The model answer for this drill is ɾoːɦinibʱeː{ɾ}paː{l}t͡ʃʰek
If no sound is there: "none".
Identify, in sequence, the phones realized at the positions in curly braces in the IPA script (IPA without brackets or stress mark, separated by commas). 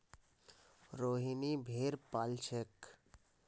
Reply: ɾ, l